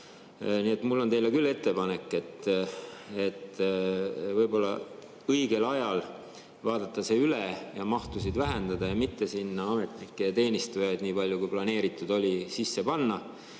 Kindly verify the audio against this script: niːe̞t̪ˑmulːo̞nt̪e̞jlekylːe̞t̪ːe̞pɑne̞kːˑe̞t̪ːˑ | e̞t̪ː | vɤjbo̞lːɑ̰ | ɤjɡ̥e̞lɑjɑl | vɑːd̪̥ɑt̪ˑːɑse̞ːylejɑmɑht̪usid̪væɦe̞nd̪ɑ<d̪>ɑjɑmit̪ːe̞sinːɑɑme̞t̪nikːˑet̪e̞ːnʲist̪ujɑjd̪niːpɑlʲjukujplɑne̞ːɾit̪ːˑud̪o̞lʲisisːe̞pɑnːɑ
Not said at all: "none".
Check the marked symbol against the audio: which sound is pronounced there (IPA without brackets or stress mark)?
d̪